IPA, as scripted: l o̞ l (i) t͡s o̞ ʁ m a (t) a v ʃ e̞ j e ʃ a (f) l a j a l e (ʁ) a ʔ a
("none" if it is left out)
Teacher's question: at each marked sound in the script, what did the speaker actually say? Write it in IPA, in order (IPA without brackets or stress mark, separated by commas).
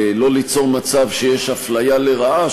i, t͡s, f, ʁ